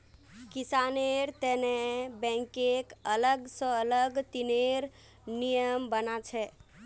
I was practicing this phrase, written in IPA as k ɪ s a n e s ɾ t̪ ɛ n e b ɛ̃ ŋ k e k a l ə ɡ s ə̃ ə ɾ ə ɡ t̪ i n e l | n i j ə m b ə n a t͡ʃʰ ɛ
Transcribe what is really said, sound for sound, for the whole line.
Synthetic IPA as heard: k i s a n e ɾ t̪ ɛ n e b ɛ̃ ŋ k e k ə l ə ɡ s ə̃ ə l ə ɡ t̪ i n e ɾ | n i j ə m b ə n a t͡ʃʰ ɛ